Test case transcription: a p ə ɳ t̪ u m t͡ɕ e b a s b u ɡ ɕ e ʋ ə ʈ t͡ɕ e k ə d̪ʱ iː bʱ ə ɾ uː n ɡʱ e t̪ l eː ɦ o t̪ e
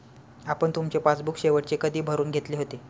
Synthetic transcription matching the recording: a p ə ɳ t̪ u m t͡ɕ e p a t͡s b u k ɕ e ʋ ə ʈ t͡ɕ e k ə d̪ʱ iː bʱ ə ɾ uː n ɡʱ e t̪ l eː ɦ o t̪ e